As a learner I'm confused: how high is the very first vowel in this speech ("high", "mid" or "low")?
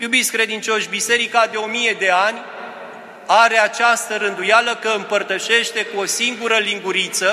high